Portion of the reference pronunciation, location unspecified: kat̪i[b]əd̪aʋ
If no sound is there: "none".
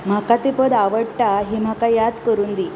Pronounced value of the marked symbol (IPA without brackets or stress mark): p